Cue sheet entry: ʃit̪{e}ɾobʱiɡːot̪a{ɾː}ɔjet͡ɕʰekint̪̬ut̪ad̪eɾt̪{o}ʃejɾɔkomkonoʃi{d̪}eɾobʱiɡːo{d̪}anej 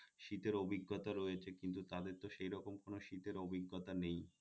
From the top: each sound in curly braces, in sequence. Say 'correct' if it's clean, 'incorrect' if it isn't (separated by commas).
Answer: correct, incorrect, correct, incorrect, incorrect